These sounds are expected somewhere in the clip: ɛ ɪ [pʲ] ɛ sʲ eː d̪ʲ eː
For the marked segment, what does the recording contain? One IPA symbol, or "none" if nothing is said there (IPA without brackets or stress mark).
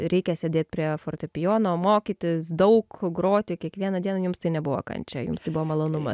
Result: kʲ